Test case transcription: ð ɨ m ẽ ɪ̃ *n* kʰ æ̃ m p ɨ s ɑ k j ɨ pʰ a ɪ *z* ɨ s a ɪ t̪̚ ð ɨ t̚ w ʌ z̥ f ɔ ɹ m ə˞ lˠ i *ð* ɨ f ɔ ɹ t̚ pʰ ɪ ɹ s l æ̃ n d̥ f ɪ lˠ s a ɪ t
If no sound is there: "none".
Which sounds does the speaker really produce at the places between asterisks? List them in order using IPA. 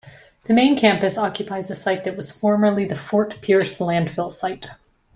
n, z, ð

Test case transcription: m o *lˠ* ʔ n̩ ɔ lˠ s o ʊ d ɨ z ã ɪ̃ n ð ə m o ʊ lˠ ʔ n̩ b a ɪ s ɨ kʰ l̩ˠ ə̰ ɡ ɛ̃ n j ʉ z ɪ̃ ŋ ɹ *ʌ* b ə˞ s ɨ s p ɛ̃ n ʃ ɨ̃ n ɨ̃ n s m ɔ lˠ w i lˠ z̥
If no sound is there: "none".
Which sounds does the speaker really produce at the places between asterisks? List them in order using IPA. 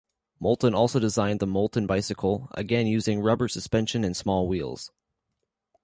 lˠ, ʌ

